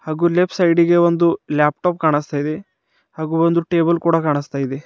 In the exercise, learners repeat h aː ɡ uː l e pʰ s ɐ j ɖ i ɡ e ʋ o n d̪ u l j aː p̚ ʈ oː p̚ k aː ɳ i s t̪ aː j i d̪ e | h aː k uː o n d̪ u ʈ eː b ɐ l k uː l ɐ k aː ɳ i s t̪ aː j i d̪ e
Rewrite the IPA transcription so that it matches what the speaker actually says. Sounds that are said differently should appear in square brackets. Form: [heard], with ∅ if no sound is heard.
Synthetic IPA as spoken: h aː ɡ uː l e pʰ s ɐ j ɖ i ɡ e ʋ o n d̪ u l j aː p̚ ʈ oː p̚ k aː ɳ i s t̪ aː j i d̪ e | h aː [ɡ] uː o n d̪ u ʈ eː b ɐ l k uː [ɽ] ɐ k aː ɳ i s t̪ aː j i d̪ e